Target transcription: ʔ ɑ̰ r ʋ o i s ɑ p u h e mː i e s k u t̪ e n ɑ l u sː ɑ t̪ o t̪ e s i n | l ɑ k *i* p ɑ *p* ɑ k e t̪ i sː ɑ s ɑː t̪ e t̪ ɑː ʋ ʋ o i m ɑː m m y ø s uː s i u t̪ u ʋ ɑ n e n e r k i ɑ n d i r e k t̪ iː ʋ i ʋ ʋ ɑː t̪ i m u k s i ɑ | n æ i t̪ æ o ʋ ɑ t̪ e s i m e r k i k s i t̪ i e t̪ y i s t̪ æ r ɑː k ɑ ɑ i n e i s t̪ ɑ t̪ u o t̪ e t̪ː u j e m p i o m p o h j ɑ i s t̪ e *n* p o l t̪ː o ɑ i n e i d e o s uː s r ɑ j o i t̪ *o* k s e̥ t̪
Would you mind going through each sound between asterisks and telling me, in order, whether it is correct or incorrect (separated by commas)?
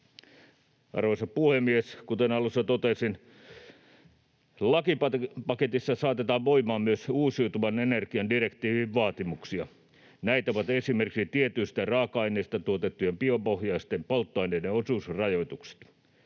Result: correct, correct, incorrect, incorrect